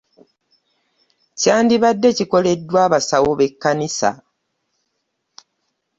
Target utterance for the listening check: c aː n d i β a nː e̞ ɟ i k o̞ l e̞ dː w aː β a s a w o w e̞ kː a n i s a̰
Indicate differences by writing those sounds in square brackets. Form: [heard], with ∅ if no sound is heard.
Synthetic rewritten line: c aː n d i β a [dː] e̞ [c] i k o̞ l e̞ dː w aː β a s a w o [β] e̞ kː a n i s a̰